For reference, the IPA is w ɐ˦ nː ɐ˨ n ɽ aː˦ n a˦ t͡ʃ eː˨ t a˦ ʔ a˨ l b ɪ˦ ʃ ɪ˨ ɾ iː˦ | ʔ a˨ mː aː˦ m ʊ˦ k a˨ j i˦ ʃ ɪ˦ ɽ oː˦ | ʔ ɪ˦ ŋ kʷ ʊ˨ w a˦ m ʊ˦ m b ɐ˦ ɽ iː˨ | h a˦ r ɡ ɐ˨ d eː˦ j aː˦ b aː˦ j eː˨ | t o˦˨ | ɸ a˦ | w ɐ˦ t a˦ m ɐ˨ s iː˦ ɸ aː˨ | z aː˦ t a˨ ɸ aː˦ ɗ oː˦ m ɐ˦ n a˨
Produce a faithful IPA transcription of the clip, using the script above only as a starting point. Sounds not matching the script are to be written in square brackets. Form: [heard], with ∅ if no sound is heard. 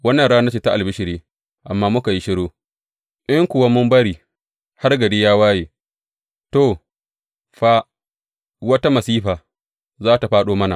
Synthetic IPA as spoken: w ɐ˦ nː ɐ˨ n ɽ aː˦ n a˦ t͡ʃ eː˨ t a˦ ʔ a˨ l b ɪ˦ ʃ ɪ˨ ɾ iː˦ | ʔ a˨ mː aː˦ m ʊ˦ k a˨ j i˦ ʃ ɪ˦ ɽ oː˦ | ʔ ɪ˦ ŋ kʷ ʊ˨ w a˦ m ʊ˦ m b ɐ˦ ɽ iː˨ | h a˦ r ɡ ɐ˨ d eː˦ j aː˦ [w] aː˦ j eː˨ | t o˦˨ | ɸ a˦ | w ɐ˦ t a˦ m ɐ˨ s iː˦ ɸ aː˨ | z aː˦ t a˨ ɸ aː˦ ɗ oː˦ m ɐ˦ n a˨